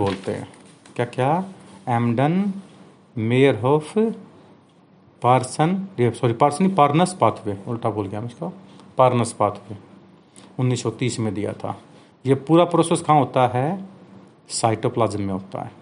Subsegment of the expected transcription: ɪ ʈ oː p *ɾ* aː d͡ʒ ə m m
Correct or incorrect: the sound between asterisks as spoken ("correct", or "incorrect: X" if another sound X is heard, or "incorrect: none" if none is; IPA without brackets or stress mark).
incorrect: l